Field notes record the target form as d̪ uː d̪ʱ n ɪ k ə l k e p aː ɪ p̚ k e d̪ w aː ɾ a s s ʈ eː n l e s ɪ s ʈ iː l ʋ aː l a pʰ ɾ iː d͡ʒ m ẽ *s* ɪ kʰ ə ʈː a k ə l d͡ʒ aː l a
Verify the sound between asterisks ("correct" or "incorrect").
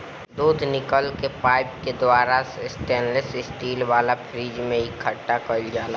incorrect